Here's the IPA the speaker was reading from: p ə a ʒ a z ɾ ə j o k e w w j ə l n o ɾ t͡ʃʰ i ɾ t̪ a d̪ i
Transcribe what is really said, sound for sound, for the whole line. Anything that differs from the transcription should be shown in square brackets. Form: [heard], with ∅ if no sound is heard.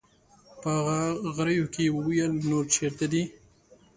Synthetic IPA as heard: p ə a [ɣ] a [ɣ] ɾ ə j o k e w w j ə l n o ɾ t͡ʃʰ [e] ɾ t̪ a d̪ i